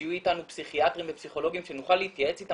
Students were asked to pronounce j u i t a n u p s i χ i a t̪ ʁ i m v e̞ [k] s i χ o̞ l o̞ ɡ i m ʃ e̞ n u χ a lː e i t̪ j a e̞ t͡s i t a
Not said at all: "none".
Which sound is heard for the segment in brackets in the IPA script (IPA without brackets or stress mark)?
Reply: p